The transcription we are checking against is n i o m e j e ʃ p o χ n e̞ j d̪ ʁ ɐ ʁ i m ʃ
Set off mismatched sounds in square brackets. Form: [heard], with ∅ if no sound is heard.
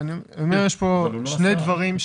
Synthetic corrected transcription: n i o m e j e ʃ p o [ʃ] n e̞ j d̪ [v] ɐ ʁ i m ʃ